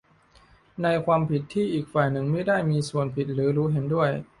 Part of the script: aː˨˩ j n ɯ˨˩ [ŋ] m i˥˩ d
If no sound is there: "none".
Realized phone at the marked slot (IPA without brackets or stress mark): ŋ